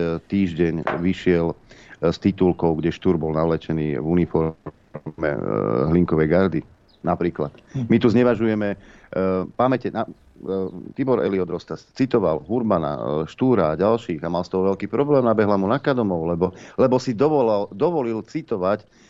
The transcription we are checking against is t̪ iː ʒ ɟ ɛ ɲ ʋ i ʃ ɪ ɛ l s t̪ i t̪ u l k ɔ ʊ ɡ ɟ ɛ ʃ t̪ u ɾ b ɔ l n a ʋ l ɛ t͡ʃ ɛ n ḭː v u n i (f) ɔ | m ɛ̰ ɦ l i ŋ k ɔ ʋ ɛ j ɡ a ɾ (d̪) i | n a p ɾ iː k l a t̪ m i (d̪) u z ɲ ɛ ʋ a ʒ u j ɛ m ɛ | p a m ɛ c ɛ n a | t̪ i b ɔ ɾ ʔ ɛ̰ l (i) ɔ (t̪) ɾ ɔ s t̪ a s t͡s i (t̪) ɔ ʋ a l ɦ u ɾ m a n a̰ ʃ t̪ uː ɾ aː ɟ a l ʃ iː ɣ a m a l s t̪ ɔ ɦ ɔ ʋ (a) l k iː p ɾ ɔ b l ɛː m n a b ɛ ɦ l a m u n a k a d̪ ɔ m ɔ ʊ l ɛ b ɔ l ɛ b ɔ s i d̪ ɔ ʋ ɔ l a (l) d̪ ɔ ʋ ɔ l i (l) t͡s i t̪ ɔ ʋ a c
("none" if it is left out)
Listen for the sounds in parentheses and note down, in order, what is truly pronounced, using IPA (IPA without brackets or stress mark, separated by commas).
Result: f, d̪, t̪, i, d̪, t̪, ɛ, l, l